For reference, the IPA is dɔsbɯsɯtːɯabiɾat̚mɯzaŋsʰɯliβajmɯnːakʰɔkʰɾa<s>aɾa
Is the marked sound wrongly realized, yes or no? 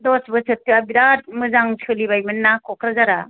yes